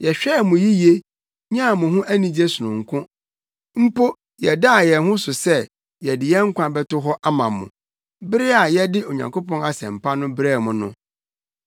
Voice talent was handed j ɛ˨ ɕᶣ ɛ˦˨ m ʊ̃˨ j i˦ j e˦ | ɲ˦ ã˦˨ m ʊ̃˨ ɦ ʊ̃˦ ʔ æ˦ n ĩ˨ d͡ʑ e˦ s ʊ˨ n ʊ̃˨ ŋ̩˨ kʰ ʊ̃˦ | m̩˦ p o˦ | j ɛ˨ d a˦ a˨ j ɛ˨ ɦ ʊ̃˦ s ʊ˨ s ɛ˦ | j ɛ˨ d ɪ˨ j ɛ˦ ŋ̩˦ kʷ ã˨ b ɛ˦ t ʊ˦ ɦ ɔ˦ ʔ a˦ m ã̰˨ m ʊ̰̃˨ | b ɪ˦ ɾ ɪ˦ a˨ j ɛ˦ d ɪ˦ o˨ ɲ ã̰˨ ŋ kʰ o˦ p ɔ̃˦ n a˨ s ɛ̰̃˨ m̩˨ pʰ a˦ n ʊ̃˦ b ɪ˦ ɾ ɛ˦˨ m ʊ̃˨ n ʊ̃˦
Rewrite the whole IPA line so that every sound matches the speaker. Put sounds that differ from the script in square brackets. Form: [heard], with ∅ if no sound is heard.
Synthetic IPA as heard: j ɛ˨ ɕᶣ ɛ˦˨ m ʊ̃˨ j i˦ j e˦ | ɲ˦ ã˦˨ m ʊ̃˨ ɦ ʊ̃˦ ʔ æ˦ n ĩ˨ d͡ʑ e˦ s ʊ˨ n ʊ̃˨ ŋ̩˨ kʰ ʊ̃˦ | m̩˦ p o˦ | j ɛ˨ d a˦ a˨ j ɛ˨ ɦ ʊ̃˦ s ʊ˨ s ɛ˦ | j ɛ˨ d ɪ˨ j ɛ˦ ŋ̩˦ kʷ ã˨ b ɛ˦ t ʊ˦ ɦ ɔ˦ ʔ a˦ m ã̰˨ m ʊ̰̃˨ | b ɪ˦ ɾ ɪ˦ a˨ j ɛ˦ d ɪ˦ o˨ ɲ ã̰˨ ŋ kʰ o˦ p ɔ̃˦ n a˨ s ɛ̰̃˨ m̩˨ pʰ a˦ n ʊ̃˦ b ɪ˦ ɾ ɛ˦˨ m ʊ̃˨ n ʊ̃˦